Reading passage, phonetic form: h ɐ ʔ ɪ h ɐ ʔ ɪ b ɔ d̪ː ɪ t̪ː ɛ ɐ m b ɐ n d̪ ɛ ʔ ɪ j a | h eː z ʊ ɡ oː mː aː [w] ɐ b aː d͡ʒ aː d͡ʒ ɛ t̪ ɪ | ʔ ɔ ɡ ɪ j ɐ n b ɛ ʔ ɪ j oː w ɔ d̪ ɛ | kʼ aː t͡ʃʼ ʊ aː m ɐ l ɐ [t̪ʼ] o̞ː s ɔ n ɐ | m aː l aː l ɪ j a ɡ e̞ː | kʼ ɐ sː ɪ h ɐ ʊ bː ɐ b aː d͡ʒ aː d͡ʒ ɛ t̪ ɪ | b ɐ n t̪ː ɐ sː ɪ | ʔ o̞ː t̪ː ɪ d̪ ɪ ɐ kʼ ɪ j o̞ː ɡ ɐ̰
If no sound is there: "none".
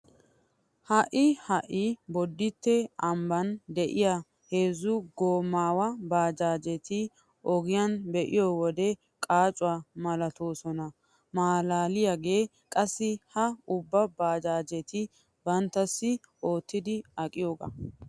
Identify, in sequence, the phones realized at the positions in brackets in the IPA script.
w, t̪

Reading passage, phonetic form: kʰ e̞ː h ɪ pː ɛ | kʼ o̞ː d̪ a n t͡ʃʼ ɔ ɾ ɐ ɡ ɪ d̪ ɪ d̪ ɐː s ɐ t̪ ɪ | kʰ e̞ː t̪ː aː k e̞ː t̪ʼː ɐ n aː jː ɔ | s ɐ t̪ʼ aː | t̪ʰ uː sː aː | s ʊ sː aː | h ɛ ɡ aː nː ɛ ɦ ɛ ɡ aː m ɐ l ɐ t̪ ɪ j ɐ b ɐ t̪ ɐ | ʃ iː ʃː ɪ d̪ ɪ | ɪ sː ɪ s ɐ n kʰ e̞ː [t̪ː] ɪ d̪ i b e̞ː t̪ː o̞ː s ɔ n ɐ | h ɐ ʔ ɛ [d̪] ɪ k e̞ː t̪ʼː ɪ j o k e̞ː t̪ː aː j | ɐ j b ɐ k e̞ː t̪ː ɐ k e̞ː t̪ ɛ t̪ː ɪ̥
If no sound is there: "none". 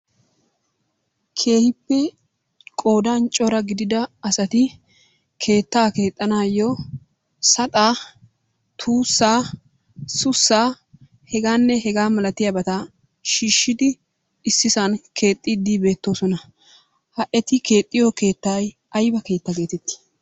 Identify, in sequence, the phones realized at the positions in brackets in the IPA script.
t̪ʼː, t̪

